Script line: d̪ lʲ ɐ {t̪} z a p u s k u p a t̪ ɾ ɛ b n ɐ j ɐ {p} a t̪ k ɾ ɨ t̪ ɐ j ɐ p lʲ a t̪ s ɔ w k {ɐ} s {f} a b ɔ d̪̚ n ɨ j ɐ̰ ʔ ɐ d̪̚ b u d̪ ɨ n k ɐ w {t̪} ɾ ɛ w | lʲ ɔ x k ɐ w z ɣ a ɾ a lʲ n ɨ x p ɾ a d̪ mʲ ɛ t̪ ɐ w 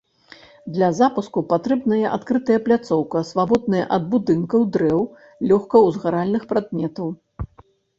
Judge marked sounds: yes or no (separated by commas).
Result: no, no, yes, no, no